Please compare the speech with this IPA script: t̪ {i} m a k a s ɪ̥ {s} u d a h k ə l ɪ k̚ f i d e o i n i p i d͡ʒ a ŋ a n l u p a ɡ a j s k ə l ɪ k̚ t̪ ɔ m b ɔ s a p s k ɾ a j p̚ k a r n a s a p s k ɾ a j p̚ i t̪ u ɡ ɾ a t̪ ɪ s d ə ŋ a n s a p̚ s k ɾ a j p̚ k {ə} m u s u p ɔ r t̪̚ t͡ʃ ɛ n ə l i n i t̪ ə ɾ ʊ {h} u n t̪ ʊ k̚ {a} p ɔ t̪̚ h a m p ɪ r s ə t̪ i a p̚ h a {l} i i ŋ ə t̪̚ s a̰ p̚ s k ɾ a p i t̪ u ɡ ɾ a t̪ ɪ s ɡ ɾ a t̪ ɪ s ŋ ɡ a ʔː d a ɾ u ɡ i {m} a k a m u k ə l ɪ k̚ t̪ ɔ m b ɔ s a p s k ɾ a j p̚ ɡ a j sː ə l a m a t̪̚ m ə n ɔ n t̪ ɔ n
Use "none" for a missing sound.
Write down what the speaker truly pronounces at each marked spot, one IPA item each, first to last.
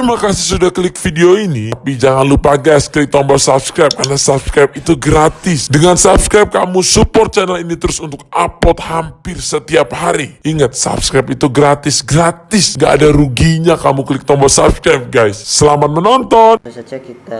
i, s, a, s, a, ɾ, ɲ

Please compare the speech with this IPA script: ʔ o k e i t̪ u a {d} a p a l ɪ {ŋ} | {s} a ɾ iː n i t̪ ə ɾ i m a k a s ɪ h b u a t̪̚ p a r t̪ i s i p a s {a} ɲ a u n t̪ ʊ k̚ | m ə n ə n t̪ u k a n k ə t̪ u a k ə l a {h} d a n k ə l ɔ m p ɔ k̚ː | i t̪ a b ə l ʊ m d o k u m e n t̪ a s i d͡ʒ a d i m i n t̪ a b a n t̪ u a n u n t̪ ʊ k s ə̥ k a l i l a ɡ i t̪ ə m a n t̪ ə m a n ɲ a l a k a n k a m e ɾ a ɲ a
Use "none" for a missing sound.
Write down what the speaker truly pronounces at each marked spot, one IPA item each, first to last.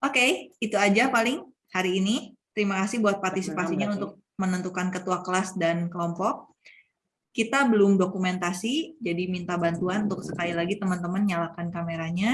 d͡ʒ, ŋ, h, i, s

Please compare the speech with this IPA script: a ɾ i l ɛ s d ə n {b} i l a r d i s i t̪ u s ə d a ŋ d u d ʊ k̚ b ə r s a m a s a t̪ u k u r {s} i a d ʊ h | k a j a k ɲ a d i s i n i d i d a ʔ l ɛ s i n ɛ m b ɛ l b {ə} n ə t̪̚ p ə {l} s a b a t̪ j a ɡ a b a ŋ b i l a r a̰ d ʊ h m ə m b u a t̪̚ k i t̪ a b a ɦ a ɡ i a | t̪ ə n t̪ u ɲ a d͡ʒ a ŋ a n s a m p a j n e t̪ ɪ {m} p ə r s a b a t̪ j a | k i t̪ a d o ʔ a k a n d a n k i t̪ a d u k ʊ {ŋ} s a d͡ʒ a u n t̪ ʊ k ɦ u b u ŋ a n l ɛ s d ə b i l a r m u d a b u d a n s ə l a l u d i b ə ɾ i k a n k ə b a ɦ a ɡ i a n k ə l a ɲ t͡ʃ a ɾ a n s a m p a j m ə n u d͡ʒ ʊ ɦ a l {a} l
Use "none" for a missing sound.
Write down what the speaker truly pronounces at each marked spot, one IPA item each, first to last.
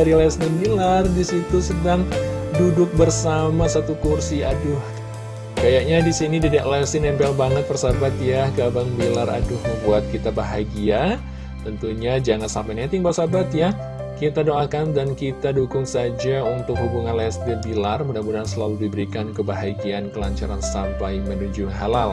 b, s, a, r, ŋ, ŋ, a

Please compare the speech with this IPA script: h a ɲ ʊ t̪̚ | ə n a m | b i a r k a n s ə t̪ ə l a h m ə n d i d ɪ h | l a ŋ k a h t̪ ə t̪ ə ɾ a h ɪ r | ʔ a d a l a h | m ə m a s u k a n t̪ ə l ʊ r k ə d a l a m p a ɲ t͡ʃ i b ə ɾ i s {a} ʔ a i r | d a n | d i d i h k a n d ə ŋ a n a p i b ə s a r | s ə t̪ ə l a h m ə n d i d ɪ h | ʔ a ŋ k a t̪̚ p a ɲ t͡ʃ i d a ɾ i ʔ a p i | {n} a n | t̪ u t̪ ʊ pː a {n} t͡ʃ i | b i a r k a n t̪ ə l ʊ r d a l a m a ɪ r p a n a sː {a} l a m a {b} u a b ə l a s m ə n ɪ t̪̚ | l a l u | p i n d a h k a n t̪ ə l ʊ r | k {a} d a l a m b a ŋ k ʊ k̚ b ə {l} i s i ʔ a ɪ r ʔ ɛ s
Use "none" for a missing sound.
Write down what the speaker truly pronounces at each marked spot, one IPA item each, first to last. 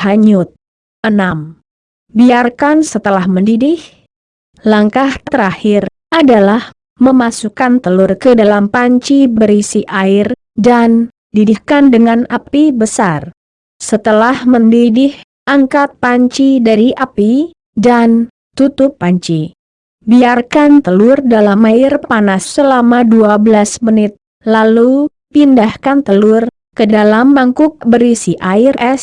i, d, ɲ, ə, d, ə, ɾ

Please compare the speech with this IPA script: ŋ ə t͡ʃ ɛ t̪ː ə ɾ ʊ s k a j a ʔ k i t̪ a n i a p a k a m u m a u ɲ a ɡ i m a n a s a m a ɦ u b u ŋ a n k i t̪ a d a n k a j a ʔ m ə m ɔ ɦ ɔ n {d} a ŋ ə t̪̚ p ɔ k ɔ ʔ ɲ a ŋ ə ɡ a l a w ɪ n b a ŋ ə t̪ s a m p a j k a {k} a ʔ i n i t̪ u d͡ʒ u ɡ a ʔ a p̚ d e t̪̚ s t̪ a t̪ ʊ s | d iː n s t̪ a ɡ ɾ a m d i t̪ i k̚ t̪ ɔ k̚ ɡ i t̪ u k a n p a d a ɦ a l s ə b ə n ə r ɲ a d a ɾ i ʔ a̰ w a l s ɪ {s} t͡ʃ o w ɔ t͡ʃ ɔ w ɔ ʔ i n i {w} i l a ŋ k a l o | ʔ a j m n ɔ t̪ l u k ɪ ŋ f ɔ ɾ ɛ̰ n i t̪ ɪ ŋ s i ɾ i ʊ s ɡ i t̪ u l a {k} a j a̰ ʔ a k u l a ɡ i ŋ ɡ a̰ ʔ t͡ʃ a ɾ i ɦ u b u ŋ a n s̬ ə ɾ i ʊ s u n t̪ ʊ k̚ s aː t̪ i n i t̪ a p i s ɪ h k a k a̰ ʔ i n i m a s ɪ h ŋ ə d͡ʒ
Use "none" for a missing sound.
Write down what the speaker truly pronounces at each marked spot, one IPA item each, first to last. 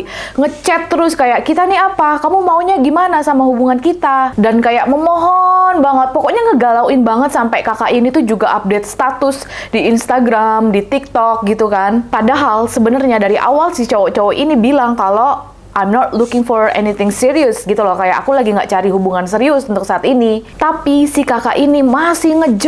b, k, h, b, k

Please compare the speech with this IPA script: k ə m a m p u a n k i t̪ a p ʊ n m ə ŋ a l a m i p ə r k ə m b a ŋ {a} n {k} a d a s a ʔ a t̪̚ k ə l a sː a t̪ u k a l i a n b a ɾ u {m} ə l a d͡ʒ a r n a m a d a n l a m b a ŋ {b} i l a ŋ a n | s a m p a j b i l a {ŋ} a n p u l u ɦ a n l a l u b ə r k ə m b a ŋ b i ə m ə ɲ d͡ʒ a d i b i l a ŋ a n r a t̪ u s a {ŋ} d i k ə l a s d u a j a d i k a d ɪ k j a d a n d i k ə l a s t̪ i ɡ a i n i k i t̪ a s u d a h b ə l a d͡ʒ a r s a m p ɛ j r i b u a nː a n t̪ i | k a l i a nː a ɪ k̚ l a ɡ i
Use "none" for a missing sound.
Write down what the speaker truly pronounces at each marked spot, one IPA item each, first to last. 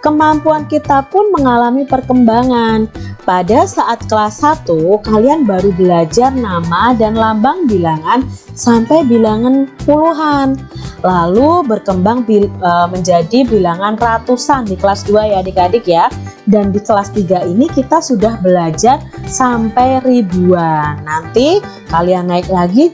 a, p, b, b, ŋ, n

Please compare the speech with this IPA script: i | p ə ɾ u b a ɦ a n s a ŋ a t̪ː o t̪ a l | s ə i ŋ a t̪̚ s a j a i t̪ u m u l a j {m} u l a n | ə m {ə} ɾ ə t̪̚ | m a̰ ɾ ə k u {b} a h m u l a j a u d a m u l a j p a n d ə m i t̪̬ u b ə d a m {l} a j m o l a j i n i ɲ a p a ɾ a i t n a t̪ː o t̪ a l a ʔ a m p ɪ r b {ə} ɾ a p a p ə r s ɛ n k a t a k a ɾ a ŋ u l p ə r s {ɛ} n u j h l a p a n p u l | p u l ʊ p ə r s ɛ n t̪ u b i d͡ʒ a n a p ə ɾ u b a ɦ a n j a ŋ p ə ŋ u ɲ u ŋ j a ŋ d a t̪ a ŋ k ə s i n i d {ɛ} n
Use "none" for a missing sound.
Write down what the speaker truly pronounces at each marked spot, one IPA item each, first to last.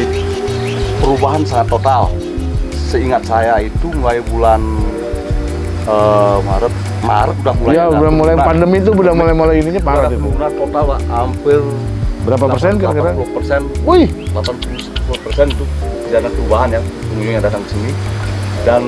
b, a, d, l, ə, ɛ, a

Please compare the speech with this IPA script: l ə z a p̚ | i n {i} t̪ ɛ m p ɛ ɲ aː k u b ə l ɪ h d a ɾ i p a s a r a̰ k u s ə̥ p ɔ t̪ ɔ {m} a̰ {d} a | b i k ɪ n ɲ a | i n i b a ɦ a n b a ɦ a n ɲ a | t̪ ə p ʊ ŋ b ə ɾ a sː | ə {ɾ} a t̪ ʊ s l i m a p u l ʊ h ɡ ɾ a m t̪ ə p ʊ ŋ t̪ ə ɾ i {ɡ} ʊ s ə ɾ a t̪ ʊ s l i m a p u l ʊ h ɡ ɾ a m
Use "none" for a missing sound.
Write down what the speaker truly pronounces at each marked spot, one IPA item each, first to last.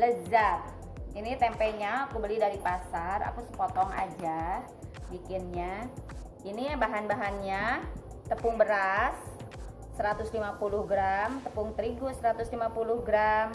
i, ŋ, d͡ʒ, ɾ, ɡ

